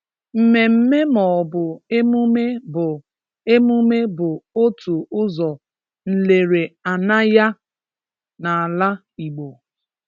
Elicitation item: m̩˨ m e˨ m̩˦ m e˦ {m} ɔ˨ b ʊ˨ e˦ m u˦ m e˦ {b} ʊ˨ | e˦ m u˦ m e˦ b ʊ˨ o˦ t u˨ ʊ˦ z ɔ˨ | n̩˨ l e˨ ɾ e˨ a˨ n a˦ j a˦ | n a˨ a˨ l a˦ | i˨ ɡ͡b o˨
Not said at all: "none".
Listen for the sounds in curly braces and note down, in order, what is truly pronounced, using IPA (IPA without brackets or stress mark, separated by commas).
m, b